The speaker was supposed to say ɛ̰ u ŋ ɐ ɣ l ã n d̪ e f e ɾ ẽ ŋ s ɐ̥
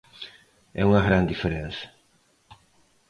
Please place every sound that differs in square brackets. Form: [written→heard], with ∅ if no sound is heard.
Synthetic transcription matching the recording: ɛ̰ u ŋ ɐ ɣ [l→ɾ] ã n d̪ [e→i] f e ɾ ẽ [ŋ→n] s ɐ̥